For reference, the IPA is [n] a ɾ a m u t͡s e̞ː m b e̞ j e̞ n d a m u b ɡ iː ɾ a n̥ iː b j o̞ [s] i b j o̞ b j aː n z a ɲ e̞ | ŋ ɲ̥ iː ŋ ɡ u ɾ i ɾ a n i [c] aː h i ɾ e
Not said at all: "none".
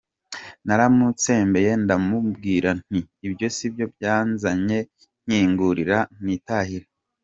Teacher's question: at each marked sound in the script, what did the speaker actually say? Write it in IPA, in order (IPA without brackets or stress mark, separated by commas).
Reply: n, s, t